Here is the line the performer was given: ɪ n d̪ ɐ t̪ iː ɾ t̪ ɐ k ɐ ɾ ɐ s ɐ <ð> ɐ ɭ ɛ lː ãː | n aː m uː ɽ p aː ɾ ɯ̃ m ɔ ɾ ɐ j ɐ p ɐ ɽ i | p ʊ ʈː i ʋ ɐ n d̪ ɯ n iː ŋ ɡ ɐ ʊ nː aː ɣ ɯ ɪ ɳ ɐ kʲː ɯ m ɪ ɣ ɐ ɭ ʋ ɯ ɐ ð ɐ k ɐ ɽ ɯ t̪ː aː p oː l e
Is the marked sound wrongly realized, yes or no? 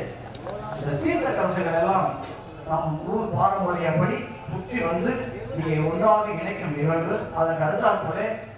yes